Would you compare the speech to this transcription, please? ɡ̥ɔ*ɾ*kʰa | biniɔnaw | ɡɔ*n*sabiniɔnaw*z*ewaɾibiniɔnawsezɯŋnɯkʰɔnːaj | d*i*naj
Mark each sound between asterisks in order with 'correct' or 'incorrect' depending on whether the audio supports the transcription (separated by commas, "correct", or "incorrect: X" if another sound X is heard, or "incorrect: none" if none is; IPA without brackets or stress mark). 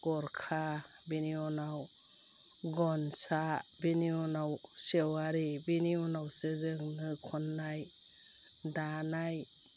correct, correct, incorrect: s, incorrect: a